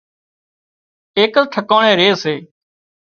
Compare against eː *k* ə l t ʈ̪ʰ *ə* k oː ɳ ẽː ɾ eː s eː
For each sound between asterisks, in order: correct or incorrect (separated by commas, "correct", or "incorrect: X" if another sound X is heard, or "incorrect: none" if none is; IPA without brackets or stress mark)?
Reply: correct, correct